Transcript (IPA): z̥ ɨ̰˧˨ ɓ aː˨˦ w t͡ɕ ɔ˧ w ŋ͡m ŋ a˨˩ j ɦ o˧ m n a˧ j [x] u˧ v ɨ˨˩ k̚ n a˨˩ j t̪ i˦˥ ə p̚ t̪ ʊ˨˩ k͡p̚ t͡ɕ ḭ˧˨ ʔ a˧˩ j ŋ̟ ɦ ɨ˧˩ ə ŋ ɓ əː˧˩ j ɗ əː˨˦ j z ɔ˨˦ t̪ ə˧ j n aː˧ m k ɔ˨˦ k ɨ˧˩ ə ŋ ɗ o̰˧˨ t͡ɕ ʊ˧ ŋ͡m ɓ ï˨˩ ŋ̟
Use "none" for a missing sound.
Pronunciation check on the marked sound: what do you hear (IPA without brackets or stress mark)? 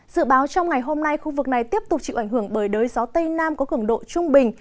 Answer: x